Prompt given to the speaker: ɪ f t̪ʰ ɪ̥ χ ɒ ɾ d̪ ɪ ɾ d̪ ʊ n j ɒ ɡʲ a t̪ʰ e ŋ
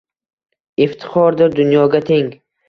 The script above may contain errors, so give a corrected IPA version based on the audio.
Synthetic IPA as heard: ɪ f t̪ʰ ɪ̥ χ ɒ ɾ d̪ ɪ ɾ d̪ ʊ n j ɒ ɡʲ a t̪ʰ e ŋ